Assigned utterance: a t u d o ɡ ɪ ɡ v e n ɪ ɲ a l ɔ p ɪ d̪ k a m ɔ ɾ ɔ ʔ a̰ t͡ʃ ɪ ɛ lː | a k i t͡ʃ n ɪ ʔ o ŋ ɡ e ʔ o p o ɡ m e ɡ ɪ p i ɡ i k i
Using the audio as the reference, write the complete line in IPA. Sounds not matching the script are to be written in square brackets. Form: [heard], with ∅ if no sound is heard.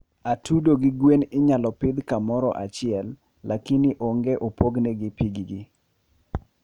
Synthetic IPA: a t u d o ɡ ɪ ɡ [w] e n ɪ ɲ a l ɔ p ɪ d̪ k a m ɔ ɾ ɔ ʔ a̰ t͡ʃ ɪ ɛ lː | a k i [∅] n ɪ ʔ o ŋ ɡ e ʔ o p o ɡ [n] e ɡ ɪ p i ɡ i [ɡ] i